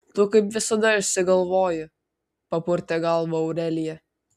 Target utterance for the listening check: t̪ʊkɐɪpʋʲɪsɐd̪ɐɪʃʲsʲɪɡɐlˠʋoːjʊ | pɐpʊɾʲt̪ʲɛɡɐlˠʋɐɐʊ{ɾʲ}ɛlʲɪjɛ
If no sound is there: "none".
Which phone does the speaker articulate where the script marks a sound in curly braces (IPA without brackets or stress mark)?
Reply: ɾʲ